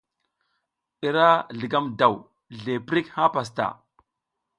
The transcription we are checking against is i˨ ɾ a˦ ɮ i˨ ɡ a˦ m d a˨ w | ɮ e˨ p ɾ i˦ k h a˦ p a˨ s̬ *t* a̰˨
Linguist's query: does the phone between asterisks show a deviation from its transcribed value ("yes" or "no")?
no